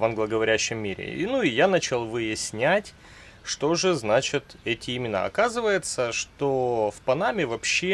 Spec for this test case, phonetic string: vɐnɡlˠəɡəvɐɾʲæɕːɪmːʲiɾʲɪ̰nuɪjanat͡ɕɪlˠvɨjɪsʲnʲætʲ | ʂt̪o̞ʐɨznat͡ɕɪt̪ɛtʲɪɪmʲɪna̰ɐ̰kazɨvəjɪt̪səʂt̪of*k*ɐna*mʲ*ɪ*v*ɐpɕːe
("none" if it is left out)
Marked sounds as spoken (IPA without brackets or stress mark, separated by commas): p, mʲ, v